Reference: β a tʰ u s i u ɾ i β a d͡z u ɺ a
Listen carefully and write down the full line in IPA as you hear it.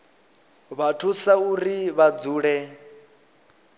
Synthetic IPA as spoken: β a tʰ u s a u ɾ i β a d͡z uː ɺ ɛ

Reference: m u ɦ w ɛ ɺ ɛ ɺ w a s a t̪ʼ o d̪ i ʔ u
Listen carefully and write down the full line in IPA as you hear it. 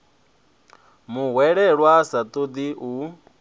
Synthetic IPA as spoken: m u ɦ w ɛ ɺ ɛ ɺ w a s a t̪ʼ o d̪ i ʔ u

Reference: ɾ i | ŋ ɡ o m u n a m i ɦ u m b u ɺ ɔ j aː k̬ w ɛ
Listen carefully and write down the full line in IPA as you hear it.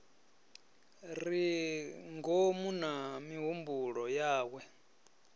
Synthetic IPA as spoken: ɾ i | ŋ ɡ o m u n a m i ɦ u m b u ɺ ɔ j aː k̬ w ɛ

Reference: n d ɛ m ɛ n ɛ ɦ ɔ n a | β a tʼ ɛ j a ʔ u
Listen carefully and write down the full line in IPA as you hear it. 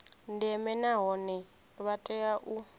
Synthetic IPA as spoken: n d ɛ m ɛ n a ɦ ɔ n ɛ | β a tʼ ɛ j a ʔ u

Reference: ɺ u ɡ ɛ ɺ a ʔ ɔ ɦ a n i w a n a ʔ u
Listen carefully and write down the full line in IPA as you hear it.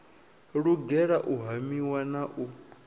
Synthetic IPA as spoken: ɺ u ɡ ɛ ɺ a ʔ u ɦ a m i w a n a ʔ u

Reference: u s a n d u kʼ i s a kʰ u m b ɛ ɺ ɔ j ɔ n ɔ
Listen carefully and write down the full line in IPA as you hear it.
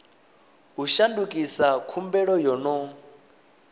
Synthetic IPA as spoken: u ʃ a n d u kʼ i s a kʰ u m b ɛ ɺ ɔ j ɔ n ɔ

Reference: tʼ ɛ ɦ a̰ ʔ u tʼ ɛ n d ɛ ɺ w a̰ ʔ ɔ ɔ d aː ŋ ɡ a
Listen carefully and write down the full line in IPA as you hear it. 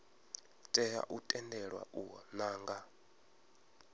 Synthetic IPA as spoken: tʼ ɛ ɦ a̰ ʔ u tʼ ɛ n d ɛ ɺ w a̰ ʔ u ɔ n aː ŋ ɡ a

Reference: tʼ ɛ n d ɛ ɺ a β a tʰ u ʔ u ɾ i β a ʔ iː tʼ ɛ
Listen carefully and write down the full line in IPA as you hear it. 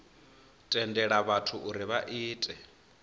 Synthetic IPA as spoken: tʼ ɛ n d ɛ ɺ a β a tʰ u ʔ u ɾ i β a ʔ iː tʼ ɛ

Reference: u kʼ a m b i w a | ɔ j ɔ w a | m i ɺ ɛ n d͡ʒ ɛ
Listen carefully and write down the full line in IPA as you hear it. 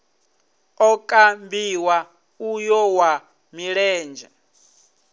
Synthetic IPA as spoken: ɔ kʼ a m b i w a | u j ɔ w a | m i ɺ ɛː n d͡ʒ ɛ

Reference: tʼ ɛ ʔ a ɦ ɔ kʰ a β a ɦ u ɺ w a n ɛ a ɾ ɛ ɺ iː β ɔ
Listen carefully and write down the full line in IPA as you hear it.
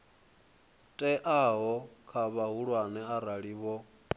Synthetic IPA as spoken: tʼ ɛ ʔ a ɦ ɔ kʰ a β a ɦ u ɺ w a n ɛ a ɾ a ɺ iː β ɔ

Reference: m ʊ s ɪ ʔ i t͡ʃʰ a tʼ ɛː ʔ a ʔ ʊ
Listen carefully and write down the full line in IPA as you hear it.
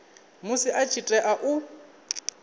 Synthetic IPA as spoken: m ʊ s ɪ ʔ a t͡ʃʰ i tʼ ɛ ʔ a ʔ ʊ

